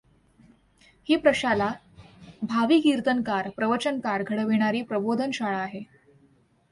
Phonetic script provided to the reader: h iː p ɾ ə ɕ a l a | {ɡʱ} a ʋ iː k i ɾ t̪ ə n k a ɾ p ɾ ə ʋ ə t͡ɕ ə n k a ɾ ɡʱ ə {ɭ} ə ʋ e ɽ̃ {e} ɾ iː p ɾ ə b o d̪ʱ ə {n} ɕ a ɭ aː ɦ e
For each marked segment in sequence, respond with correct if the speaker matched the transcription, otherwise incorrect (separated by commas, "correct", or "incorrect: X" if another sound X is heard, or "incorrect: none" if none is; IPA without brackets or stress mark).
incorrect: bʱ, incorrect: ɽ, incorrect: a, correct